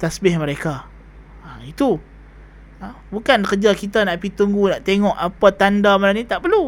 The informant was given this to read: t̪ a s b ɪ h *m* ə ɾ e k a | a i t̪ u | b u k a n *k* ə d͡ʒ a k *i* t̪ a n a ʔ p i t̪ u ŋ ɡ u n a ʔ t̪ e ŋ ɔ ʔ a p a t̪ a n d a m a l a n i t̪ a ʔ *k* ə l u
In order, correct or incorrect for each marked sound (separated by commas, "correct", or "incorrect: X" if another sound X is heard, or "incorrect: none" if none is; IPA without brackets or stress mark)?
correct, correct, correct, incorrect: p